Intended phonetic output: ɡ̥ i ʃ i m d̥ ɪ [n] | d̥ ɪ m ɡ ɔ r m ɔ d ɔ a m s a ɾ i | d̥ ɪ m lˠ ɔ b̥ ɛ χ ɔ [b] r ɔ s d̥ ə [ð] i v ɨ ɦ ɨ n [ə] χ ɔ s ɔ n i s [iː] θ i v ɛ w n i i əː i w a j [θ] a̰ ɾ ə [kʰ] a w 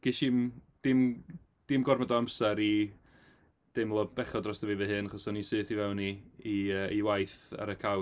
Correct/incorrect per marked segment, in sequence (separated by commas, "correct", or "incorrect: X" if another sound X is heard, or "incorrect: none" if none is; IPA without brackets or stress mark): incorrect: m, incorrect: d, incorrect: v, incorrect: a, incorrect: ɨː, correct, correct